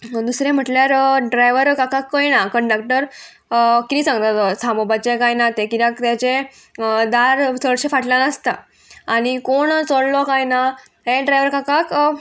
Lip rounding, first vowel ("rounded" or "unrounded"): rounded